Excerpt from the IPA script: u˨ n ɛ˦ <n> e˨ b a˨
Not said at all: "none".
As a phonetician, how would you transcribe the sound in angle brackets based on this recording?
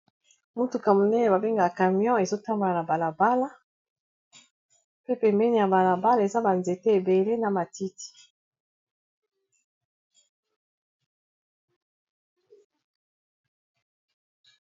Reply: n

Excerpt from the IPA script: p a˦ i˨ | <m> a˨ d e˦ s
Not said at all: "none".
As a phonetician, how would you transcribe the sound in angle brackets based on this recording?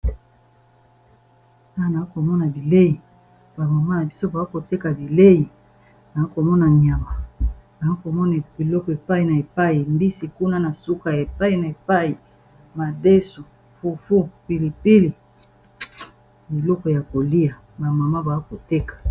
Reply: m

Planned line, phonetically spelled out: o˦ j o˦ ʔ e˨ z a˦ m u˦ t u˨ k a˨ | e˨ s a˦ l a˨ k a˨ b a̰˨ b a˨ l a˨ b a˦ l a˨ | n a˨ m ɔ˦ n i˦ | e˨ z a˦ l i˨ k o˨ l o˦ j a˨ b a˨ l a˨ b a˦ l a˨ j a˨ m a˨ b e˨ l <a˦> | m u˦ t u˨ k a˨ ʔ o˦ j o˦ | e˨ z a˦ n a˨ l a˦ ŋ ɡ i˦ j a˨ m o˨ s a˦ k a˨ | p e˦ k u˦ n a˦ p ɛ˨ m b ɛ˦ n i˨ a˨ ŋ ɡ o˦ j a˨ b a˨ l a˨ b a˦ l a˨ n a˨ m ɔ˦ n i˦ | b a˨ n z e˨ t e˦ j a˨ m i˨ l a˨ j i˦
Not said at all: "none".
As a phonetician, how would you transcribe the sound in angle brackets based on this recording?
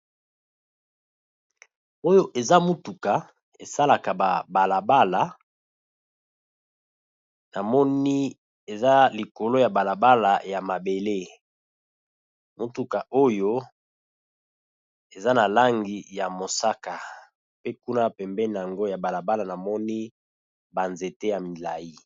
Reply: e˦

